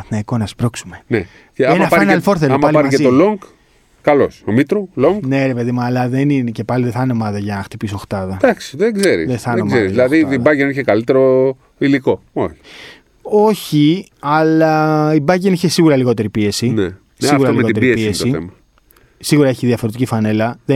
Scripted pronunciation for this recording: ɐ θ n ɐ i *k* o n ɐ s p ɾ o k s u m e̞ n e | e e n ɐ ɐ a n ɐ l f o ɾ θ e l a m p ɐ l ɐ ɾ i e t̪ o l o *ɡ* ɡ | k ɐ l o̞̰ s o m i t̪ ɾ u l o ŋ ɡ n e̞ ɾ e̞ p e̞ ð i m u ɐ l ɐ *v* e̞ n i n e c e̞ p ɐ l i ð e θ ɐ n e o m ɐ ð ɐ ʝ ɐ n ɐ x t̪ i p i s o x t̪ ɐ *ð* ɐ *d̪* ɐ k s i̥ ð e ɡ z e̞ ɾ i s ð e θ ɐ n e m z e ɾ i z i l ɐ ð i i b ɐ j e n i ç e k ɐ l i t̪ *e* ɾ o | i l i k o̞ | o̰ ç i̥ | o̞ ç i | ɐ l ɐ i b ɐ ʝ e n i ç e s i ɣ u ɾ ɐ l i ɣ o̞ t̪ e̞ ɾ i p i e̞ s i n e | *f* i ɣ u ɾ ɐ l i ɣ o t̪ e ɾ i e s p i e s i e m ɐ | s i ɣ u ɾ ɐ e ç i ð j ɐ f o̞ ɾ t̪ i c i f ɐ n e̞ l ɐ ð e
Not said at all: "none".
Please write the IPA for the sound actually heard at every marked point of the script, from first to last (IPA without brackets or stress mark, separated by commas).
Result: k, ŋ, ð, ð, d̪, e, s